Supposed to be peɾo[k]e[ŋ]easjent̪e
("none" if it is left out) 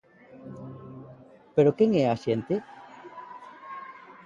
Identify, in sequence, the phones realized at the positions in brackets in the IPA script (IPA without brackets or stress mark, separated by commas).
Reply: k, ŋ